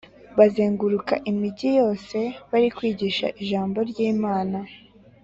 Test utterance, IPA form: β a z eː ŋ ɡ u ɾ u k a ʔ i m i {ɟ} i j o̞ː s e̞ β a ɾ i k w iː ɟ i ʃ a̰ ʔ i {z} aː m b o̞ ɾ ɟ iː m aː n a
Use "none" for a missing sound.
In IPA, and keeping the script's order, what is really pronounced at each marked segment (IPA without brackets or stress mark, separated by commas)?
ɟ, ʒ